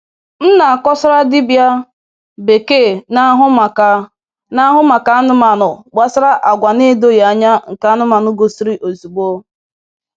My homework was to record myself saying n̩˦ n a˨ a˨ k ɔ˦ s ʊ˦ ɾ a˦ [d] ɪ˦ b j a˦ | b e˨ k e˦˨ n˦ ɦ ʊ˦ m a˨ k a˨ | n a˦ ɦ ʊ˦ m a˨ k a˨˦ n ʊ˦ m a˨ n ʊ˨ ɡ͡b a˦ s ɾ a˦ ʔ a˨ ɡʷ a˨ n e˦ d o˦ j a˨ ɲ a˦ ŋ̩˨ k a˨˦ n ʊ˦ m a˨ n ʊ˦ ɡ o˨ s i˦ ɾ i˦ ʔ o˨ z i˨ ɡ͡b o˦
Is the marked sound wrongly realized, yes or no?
no